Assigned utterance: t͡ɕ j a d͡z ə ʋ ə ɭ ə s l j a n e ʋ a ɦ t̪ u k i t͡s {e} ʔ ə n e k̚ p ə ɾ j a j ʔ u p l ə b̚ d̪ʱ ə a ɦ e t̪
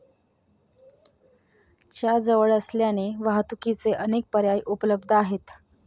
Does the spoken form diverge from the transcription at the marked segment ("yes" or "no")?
no